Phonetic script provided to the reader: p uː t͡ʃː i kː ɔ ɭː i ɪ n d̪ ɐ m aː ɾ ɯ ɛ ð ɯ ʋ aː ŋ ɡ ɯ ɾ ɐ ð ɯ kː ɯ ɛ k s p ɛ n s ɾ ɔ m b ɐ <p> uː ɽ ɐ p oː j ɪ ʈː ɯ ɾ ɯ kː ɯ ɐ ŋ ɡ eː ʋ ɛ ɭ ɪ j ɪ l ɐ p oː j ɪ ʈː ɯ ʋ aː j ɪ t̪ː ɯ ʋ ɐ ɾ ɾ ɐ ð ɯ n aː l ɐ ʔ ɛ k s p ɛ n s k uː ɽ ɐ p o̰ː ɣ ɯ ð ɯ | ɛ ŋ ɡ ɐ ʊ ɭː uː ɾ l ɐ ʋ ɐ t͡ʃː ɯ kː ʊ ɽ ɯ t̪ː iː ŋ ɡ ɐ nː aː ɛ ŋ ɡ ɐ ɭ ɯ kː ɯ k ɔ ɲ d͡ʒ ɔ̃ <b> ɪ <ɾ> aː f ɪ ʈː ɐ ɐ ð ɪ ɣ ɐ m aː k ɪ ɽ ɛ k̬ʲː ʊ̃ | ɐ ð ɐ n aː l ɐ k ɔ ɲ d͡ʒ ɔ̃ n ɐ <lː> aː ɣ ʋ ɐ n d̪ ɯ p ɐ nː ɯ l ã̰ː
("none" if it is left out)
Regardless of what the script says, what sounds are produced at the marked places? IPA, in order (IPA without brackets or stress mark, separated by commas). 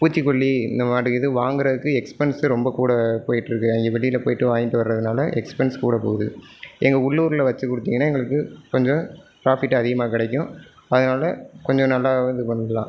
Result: k, p, ɾ, lː